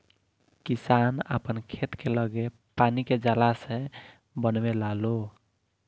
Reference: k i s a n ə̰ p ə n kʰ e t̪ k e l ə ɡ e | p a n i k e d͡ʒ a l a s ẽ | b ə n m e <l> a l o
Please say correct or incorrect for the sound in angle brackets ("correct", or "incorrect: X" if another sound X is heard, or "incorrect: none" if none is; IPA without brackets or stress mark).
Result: correct